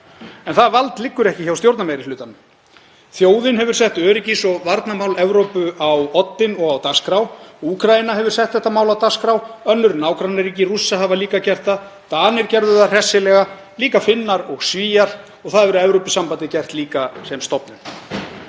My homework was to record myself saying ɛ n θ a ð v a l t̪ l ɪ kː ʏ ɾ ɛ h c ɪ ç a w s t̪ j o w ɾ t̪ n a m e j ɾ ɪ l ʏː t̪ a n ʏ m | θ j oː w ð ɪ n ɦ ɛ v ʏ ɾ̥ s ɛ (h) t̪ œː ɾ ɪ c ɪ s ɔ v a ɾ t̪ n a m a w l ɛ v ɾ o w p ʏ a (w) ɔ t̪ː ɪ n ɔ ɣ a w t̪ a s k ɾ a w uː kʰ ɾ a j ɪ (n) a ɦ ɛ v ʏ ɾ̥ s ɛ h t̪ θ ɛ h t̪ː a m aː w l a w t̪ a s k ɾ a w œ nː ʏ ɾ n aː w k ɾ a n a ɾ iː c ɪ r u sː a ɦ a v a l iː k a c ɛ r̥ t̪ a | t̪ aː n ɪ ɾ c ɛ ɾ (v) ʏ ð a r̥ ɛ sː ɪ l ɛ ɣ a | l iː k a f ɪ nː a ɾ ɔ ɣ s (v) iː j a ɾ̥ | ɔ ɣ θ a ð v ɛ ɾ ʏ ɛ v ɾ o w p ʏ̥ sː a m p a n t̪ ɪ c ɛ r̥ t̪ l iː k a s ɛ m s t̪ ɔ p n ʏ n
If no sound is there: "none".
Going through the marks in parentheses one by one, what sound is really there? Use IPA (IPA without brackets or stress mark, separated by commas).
h, w, n, ð, v